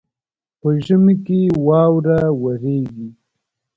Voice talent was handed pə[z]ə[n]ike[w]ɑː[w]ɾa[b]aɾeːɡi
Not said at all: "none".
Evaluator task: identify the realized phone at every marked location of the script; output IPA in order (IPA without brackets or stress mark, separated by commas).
ʒ, m, w, w, w